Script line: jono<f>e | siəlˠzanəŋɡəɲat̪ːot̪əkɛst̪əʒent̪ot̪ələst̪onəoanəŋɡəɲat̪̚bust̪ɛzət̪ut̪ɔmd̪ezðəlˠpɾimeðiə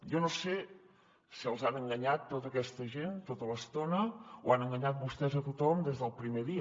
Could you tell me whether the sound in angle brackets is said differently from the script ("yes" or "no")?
yes